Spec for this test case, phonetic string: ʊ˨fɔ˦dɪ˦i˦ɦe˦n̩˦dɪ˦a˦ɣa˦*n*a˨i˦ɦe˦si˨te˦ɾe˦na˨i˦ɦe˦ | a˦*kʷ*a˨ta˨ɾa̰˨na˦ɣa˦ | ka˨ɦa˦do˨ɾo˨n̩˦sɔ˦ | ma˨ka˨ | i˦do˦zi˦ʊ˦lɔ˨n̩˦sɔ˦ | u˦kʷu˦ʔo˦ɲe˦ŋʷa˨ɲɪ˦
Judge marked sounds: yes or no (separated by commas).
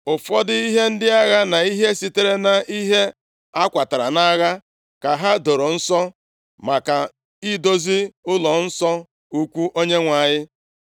yes, yes